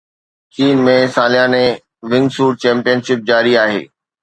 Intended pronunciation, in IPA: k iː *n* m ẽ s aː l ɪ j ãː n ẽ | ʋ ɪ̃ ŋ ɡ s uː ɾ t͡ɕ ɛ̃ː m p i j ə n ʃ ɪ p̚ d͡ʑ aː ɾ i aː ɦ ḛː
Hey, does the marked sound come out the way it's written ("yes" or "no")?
yes